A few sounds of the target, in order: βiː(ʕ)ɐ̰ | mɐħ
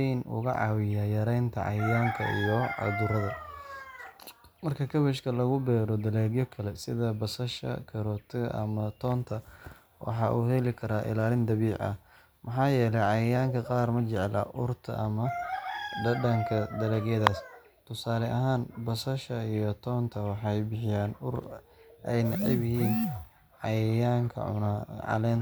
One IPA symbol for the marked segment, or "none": ʕ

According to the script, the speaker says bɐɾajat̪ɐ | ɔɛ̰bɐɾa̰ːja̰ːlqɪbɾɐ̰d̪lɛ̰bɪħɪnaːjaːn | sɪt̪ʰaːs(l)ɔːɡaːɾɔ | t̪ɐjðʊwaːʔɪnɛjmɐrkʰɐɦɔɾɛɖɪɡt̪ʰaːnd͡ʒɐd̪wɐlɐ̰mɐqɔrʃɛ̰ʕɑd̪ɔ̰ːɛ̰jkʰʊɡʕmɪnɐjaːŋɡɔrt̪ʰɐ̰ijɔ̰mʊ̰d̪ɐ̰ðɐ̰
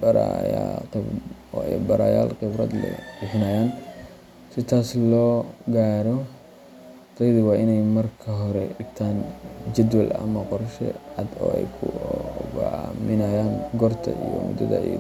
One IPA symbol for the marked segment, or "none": l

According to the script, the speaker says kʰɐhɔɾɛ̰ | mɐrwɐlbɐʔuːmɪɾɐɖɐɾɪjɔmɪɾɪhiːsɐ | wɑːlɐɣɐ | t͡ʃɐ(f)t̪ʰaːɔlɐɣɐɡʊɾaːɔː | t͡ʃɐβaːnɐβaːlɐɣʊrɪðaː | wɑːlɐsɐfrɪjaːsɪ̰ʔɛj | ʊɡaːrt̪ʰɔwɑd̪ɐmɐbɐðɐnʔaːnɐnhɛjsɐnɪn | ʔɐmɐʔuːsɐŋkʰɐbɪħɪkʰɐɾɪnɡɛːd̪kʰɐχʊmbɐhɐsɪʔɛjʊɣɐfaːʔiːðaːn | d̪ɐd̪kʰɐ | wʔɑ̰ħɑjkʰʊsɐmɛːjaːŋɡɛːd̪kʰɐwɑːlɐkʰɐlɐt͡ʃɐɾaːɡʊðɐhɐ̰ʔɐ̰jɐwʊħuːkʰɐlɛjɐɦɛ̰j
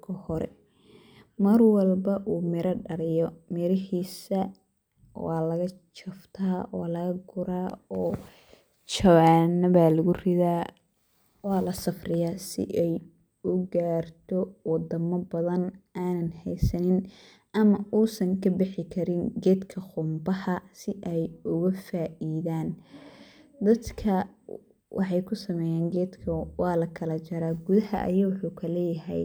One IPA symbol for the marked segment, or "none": f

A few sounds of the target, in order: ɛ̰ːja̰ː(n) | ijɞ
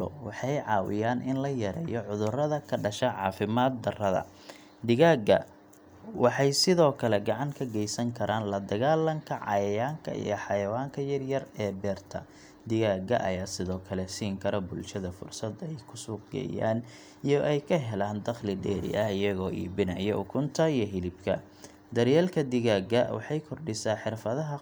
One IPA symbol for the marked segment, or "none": n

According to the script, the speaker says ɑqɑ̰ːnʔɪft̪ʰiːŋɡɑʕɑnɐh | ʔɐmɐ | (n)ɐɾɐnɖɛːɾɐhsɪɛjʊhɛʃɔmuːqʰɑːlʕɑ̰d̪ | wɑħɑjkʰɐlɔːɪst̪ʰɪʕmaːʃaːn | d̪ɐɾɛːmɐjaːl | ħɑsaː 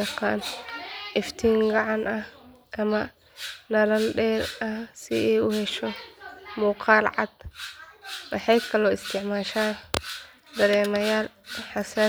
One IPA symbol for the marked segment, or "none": n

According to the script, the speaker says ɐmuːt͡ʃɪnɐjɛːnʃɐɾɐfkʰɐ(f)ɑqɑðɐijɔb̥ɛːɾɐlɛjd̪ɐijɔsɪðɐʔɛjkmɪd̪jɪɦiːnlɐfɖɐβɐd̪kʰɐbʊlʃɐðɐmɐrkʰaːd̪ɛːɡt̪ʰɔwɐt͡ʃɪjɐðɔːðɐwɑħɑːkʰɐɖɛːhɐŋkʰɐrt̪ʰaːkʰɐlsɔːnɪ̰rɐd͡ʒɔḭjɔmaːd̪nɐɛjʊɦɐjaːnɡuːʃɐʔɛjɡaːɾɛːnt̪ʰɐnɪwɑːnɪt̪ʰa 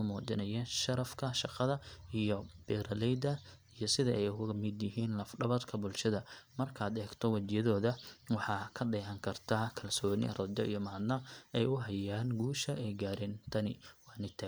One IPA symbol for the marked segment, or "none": ʃ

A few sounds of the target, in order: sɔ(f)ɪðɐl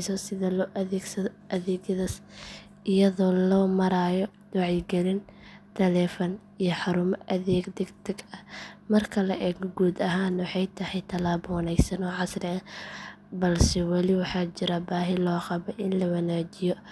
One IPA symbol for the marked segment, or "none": s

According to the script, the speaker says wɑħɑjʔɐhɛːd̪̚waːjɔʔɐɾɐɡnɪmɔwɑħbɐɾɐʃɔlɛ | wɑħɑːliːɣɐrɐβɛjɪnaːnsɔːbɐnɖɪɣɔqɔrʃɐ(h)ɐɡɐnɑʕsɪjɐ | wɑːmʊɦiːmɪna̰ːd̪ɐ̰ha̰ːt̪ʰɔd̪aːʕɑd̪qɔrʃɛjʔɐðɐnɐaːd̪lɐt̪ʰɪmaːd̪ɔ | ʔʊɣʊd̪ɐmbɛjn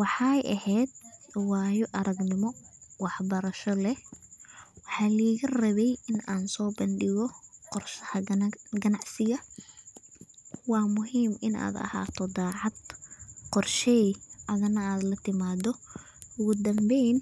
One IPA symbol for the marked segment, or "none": h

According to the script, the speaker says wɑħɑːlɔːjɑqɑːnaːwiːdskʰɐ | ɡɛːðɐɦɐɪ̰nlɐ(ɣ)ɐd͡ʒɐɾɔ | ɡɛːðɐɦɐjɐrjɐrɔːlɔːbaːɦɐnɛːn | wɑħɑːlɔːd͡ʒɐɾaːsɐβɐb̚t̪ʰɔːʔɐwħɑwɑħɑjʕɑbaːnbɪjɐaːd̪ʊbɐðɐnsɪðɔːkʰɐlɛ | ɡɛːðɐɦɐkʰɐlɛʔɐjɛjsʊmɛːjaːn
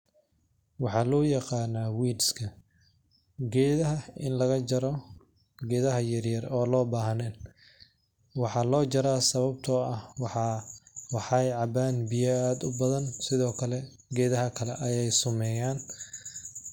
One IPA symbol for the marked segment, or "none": ɣ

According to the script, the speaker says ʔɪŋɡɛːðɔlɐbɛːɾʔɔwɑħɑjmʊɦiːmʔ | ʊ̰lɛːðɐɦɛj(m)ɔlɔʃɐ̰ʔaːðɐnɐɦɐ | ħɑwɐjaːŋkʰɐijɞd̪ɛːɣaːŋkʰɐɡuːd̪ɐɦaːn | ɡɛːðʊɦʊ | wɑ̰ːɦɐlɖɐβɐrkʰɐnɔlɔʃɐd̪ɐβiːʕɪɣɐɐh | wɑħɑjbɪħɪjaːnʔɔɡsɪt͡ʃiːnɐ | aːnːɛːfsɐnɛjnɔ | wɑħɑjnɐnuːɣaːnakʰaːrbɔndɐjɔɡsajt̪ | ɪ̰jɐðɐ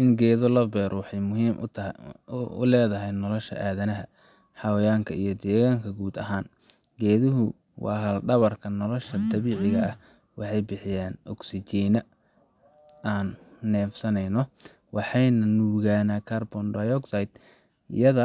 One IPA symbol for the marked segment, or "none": n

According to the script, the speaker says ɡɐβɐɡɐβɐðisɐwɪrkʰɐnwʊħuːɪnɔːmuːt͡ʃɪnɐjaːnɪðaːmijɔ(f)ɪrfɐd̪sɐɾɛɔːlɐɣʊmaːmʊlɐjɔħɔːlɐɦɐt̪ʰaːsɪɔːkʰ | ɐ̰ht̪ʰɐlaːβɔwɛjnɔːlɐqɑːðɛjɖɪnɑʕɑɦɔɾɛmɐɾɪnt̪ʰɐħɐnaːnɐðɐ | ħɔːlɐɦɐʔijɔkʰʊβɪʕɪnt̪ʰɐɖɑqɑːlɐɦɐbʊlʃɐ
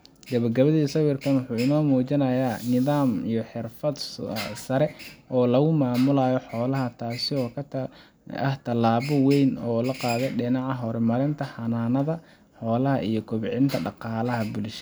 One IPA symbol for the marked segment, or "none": ħ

